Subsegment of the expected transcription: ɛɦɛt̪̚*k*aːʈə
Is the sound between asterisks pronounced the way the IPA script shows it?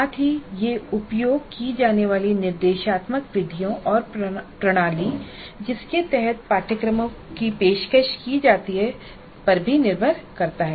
no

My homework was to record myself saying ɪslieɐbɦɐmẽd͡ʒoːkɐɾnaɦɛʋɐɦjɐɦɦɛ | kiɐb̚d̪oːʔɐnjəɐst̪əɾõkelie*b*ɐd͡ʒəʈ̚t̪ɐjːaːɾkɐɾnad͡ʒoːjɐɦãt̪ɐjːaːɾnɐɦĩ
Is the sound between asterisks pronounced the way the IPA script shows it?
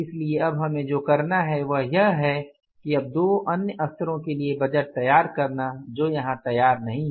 yes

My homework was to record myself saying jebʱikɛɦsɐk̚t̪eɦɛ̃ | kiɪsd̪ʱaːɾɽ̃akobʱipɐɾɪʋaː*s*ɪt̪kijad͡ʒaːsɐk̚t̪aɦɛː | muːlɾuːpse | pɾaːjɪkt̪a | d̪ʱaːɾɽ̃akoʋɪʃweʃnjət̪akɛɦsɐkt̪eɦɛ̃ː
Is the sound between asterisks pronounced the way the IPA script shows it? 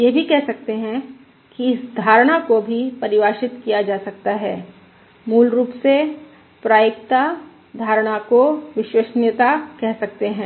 no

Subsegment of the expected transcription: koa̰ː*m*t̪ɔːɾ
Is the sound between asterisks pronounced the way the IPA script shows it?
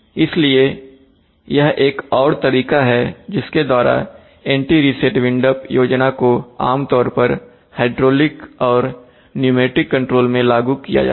yes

